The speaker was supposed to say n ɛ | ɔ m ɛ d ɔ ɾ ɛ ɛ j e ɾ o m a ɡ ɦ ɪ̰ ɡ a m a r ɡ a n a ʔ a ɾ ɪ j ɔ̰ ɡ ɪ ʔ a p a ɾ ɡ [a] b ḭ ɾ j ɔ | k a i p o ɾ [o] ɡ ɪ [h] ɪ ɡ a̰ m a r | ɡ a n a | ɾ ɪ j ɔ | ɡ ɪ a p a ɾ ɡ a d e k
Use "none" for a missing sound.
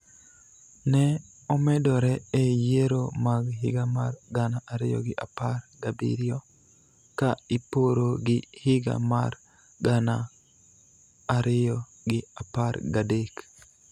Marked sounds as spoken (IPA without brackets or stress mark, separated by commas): a, o, h